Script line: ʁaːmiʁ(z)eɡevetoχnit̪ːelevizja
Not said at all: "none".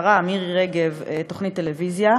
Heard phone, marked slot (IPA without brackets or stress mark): ʁ